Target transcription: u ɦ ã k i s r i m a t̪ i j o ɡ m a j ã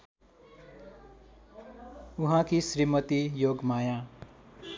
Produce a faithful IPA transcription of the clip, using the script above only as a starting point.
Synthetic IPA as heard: u ɦ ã k i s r i m ʌ t̪ i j o ɡ m a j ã